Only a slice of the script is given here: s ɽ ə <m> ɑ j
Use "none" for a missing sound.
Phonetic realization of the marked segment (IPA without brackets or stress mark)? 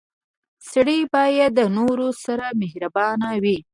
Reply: b